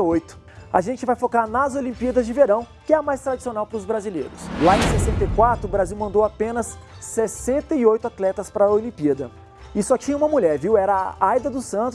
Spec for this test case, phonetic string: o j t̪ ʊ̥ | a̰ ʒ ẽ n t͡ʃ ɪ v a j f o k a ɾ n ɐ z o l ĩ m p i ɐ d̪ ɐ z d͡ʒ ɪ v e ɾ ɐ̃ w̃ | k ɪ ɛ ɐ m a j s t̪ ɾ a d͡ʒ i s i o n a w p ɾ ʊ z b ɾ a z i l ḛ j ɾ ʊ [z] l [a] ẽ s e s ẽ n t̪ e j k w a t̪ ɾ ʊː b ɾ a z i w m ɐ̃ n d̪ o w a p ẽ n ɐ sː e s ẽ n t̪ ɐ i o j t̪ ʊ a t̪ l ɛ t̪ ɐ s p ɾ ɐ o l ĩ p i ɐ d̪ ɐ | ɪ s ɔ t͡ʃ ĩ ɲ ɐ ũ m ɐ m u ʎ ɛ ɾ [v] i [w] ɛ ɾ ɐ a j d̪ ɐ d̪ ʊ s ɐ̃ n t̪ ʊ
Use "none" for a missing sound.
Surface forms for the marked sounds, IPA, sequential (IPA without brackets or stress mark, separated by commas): s, a, v, w